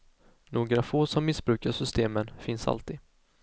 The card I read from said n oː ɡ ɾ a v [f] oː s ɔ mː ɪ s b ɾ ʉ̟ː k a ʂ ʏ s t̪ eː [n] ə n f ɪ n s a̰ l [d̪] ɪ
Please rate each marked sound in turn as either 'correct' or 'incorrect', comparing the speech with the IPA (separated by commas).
correct, incorrect, incorrect